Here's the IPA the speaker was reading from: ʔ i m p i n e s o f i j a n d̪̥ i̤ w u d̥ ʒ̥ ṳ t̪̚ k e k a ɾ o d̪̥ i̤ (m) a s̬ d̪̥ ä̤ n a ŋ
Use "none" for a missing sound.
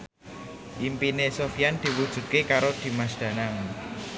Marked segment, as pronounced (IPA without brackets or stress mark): m